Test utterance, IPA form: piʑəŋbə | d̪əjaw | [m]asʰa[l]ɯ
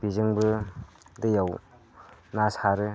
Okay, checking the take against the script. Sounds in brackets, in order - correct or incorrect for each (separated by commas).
incorrect, incorrect